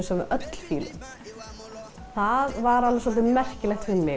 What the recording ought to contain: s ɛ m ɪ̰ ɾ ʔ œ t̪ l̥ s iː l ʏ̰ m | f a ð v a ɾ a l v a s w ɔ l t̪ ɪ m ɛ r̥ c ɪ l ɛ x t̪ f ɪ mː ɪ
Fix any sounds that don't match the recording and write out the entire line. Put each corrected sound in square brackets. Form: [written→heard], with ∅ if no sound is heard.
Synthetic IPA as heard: s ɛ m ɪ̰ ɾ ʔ œ t̪ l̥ [s→f] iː l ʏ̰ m | [f→θ] a ð v a ɾ a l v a s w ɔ l t̪ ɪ m ɛ r̥ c ɪ l ɛ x t̪ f ɪ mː ɪ